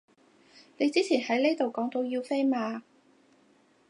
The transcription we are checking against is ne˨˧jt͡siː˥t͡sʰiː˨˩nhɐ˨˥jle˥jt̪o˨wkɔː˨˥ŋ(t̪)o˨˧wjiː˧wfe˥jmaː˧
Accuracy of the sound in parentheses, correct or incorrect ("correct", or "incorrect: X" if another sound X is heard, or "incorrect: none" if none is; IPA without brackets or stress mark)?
correct